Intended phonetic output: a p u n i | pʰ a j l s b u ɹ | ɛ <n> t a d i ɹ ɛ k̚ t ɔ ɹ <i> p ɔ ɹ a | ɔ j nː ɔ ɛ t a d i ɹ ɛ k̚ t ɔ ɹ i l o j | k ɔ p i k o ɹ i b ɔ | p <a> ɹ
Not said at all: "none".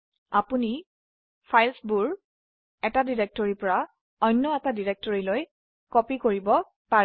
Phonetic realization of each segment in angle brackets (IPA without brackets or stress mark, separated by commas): none, i, a